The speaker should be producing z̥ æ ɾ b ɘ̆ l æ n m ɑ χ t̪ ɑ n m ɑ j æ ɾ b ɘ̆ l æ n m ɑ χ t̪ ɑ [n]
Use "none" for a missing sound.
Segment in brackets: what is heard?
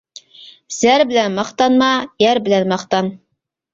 n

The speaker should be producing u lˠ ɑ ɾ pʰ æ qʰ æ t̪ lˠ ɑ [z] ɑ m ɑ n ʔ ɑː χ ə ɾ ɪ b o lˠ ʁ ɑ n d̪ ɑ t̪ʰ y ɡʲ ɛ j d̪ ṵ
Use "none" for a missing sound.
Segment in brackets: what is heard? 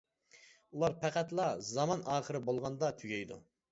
z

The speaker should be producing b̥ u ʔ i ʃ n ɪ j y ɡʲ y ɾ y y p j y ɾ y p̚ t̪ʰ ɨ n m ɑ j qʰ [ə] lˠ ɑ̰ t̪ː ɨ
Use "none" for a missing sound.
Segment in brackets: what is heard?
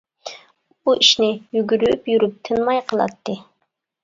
ə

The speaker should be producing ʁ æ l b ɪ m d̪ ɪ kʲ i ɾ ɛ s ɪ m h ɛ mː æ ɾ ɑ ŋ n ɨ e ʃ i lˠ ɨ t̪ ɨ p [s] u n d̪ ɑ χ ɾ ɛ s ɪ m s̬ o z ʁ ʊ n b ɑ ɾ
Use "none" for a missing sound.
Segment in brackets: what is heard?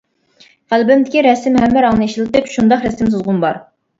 ʃ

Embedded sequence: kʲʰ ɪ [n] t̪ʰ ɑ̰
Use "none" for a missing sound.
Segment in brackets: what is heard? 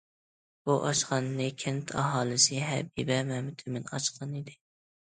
n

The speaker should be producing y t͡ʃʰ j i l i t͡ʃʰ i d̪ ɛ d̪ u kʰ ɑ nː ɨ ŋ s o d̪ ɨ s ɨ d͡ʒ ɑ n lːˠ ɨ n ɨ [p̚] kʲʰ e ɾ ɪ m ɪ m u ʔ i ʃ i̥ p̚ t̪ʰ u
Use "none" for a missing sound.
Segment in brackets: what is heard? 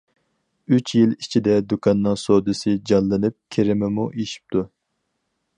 p̚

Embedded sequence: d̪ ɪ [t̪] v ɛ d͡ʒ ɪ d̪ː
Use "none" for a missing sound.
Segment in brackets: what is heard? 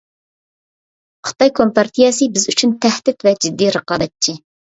t̪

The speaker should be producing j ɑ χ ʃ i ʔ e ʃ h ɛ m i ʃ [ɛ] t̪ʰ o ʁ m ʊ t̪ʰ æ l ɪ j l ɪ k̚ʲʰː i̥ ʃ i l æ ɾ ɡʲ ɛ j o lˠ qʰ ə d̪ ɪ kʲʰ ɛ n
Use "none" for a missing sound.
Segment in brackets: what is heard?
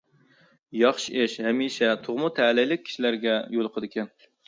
ɛ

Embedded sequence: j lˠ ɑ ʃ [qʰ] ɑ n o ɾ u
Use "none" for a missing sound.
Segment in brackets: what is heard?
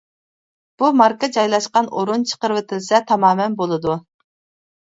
q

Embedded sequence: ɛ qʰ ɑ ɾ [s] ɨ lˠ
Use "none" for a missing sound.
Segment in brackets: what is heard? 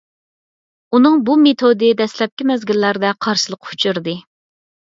ʃ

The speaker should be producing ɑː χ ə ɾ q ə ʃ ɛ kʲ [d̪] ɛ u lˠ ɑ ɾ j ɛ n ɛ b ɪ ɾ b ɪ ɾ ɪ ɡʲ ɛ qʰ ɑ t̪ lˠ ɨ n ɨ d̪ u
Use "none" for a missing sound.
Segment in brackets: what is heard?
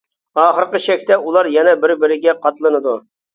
t̪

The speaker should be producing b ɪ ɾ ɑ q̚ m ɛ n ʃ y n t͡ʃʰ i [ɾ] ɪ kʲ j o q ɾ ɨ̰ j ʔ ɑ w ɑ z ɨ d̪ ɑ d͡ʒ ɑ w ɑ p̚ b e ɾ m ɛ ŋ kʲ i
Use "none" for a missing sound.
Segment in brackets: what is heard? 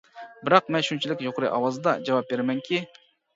l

